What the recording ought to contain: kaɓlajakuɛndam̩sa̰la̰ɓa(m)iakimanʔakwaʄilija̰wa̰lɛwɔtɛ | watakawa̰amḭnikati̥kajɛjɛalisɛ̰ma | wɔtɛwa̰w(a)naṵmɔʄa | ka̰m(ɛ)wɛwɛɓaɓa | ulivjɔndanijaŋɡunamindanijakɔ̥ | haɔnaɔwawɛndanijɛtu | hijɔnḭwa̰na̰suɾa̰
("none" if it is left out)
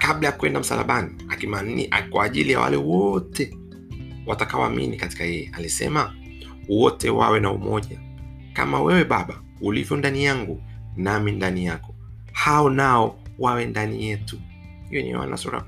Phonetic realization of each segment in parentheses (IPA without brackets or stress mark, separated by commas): n, ɛ, a